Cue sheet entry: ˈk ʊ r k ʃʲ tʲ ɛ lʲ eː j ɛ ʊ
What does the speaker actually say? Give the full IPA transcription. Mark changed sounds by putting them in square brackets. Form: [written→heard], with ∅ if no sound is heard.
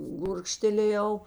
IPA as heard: [ˈk→ˈɡ] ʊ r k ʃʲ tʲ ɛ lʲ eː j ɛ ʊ